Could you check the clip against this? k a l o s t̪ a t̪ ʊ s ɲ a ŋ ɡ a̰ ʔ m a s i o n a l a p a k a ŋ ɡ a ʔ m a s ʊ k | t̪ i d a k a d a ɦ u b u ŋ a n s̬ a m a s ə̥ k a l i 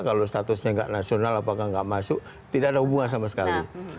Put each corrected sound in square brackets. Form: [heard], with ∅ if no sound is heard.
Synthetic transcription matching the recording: k a l o s t̪ a t̪ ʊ s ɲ a ŋ ɡ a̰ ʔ [n] a s i o n a l a p a k a ŋ ɡ a ʔ m a s ʊ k | t̪ i d a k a d a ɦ u b u ŋ a n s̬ a m a s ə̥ k a l i